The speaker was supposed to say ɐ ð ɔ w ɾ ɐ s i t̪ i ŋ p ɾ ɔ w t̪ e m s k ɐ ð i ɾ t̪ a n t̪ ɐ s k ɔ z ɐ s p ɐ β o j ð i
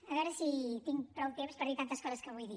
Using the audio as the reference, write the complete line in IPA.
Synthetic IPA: ɐ ɣ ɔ ɾ ɐ s i t̪ i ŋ p ɾ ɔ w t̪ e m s p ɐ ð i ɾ t̪ a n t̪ ɐ s k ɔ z ɐ s k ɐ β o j ð i